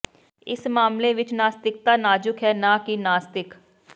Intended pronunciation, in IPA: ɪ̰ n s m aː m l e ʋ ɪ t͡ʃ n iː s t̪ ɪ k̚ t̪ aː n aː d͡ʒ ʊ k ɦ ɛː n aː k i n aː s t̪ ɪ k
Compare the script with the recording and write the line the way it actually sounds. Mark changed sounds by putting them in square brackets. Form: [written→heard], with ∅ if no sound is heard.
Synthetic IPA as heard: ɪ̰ [n→∅] s m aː m l e ʋ ɪ t͡ʃ n [iː→aː] s t̪ ɪ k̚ t̪ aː n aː d͡ʒ ʊ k ɦ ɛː n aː k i n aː s t̪ ɪ k